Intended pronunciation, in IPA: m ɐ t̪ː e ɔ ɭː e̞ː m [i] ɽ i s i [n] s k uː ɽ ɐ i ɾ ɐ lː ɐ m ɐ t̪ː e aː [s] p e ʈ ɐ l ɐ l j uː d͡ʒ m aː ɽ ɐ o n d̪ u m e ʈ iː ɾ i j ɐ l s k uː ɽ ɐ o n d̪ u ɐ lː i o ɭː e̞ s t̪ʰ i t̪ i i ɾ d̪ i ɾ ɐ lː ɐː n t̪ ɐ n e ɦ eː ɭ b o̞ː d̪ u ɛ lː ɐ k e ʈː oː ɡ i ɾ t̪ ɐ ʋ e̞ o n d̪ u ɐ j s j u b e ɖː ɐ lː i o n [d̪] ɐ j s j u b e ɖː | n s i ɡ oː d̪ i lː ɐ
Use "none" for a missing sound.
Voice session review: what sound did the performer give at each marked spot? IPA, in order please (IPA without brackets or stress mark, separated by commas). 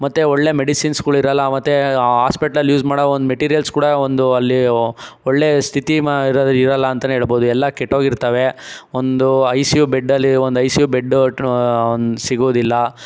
e, n, s, d̪